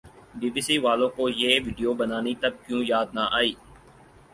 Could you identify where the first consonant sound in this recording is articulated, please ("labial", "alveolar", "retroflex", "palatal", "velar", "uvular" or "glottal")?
labial